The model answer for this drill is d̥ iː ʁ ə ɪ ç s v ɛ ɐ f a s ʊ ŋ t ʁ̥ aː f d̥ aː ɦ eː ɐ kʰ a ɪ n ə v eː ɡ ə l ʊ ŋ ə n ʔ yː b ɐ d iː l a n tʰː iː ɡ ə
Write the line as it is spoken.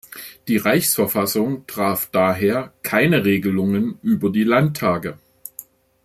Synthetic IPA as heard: d̥ iː ʁ a ɪ ç s f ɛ ɐ f a s ʊ ŋ t ʁ̥ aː f d̥ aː ɦ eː ɐ kʰ a ɪ n ə ʁ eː ɡ ə l ʊ ŋ ə n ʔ yː b ɐ d iː l a n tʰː aː ɡ ə

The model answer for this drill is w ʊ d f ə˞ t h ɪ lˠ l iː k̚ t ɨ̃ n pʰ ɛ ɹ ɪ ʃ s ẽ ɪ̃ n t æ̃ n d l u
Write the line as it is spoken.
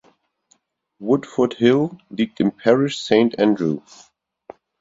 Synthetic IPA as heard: w ʊ d f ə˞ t h ɪ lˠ l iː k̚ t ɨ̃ n pʰ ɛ ɹ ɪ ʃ s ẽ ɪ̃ n t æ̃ n d ɹ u

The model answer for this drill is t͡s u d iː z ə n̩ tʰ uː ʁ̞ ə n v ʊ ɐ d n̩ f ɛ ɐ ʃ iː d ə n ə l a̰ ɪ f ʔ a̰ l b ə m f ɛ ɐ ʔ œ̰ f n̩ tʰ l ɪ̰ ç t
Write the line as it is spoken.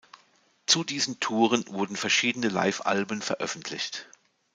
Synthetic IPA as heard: t͡s u d iː z ə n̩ tʰ uː ʁ̞ ə n v ʊ ɐ d n̩ f ɛ ɐ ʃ iː d ə n ə l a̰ ɪ f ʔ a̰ l b ə n f ɛ ɐ ʔ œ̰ f n̩ tʰ l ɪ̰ ç t

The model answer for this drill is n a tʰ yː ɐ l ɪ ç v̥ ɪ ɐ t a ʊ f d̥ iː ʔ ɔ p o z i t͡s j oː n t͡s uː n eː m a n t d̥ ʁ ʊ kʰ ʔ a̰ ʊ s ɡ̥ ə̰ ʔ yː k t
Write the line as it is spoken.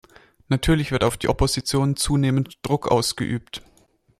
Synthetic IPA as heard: n a tʰ yː ɐ l ɪ ç v̥ ɪ ɐ t a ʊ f d̥ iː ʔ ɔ p o z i t͡s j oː n t͡s uː n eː m ə n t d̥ ʁ ʊ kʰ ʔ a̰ ʊ s ɡ̥ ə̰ ʔ yː p t

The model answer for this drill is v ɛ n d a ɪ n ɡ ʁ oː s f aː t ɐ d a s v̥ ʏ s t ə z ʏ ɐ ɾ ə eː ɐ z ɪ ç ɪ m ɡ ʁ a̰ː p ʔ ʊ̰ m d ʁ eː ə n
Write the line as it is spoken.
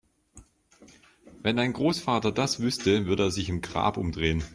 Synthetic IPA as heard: v ɛ n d a ɪ n ɡ ʁ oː s f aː t ɐ d a s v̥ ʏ s t ə v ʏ ɐ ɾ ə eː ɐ z ɪ ç ɪ m ɡ ʁ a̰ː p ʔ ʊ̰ m d ʁ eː ə n

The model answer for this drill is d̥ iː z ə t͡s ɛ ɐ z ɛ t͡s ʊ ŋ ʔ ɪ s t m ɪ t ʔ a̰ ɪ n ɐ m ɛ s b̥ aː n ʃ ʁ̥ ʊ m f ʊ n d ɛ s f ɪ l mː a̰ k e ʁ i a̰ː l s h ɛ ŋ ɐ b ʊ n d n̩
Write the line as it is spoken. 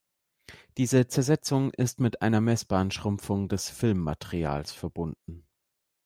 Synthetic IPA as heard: d̥ iː z ə t͡s ɛ ɐ z ɛ t͡s ʊ ŋ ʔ ɪ s t m ɪ t ʔ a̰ ɪ n ɐ m ɛ s b̥ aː n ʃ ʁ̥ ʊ m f ʊ ŋ d ɛ s f ɪ l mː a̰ t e ʁ i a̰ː l s f ɛ ɐ b ʊ n d n̩

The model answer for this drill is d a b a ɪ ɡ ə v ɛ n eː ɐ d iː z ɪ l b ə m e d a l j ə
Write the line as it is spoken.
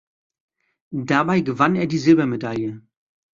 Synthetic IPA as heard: d a b a ɪ ɡ ə v a n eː ɐ d iː z ɪ l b ɐ m e d a l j ə

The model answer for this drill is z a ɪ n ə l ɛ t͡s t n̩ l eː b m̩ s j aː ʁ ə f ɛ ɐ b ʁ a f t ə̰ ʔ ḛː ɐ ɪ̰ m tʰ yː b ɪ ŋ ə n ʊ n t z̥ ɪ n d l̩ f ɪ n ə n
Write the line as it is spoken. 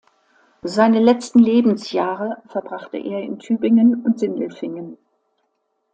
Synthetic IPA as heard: z a ɪ n ə l ɛ t͡s t n̩ l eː b m̩ s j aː ʁ ə f ɛ ɐ b ʁ a χ t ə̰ ʔ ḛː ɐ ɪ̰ n tʰ yː b ɪ ŋ ə n ʊ n t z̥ ɪ n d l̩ f ɪ ŋ ə n

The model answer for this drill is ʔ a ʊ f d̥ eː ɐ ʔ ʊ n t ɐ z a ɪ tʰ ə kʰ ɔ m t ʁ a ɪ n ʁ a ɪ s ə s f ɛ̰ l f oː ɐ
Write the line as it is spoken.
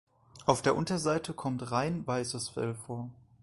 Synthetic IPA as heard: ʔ a ʊ f d̥ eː ɐ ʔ ʊ n t ɐ z a ɪ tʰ ə kʰ ɔ m t ʁ a ɪ n v a ɪ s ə s f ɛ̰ l f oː ɐ

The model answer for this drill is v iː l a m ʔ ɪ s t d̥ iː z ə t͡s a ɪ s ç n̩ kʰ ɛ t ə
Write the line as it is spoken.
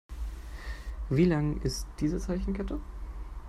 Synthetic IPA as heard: v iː l a ŋ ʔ ɪ s t d̥ iː z ə t͡s a ɪ ç n̩ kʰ ɛ t ə

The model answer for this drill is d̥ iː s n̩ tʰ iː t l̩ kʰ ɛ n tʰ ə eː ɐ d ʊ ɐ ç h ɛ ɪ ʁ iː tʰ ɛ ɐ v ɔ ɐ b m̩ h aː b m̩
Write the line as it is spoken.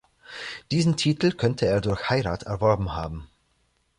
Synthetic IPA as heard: d̥ iː z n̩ tʰ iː t l̩ kʰ œ n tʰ ə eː ɐ d ʊ ɐ ç h a ɪ ʁ aː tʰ ɛ ɐ v ɔ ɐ b m̩ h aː b m̩

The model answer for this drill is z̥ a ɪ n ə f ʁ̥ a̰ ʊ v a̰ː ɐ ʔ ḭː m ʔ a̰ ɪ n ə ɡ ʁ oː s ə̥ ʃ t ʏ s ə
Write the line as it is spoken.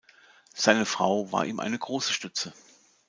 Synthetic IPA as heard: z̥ a ɪ n ə f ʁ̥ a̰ ʊ v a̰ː ɐ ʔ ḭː m ʔ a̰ ɪ n ə ɡ ʁ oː s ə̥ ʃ t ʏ t͡s ə

